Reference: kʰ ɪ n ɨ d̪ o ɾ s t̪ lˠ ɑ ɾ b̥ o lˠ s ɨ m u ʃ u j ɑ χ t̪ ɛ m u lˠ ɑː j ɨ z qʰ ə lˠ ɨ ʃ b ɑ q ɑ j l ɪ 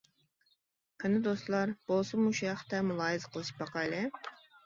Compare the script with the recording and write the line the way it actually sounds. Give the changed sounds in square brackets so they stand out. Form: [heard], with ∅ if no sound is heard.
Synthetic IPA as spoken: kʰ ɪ n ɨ d̪ o [∅] s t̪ lˠ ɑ ɾ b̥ o lˠ s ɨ m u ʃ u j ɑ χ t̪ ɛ m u lˠ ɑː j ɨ z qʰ ə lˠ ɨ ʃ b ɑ q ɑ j l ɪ